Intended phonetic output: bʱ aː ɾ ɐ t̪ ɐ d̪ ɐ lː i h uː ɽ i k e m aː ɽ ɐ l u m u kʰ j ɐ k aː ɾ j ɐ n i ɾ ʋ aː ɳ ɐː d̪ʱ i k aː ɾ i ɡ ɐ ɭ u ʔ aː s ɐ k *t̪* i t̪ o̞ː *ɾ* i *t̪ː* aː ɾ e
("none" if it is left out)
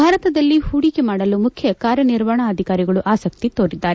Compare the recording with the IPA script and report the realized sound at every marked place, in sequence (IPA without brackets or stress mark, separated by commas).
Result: t̪, ɾ, d̪ː